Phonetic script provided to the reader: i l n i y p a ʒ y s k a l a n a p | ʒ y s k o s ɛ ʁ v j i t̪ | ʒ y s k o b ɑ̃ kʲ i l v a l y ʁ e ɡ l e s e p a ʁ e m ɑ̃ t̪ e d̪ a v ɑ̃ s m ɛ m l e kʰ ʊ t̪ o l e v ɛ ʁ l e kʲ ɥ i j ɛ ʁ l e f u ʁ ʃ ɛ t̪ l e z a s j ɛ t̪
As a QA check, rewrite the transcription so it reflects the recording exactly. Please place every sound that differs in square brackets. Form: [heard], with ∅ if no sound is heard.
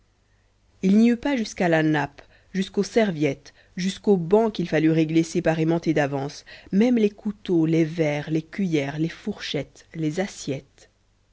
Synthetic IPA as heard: i l n i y p a ʒ y s k a l a n a p | ʒ y s k o s ɛ ʁ v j [ɛ] t̪ | ʒ y s k o b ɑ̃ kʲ i l [f] a l y ʁ e ɡ l e s e p a ʁ e m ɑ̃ t̪ e d̪ a v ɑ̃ s m ɛ m l e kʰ [u] t̪ o l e v ɛ ʁ l e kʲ ɥ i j ɛ ʁ l e f u ʁ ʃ ɛ t̪ l e z a s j ɛ t̪